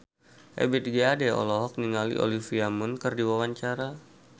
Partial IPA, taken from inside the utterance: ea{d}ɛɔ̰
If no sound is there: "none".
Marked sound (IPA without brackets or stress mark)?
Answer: d